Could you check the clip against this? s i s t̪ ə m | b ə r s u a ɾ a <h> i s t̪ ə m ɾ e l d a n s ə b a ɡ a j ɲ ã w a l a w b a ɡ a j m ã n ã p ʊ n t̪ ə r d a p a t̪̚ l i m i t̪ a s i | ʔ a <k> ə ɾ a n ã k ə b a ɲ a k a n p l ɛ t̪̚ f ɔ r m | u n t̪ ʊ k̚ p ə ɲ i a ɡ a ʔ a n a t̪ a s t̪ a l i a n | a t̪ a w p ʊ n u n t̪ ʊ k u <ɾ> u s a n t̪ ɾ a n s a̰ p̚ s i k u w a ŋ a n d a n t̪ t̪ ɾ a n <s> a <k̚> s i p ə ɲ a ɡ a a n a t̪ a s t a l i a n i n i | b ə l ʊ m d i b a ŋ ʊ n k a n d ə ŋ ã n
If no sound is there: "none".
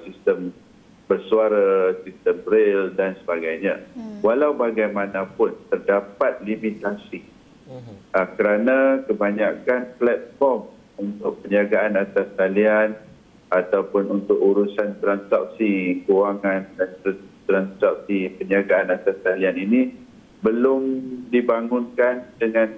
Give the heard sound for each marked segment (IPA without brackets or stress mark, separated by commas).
s, k, ɾ, s, p̚